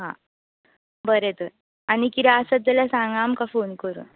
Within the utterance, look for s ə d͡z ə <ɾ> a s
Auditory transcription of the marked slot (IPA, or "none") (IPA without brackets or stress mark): l